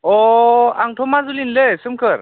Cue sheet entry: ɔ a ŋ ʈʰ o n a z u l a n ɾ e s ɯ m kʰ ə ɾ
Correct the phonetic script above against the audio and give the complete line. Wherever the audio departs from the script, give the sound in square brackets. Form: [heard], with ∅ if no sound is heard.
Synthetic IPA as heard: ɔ a ŋ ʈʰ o [m] a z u l [i] n [l] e s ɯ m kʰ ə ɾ